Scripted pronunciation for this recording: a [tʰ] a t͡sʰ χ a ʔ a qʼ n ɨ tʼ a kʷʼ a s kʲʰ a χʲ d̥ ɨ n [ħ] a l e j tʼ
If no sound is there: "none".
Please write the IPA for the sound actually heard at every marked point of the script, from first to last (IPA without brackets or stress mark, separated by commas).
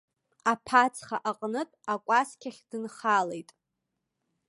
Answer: pʰ, χ